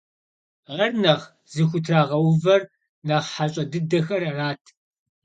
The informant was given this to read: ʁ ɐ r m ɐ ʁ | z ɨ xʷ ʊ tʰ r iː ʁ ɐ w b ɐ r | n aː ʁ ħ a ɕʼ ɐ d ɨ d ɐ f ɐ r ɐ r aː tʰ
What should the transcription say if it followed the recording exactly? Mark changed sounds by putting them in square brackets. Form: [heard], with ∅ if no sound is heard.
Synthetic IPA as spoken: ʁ ɐ r [n] ɐ ʁ | z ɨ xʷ ʊ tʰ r [aː] ʁ ɐ w [v] ɐ r | n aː ʁ ħ a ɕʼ ɐ d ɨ d ɐ [x] ɐ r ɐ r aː tʰ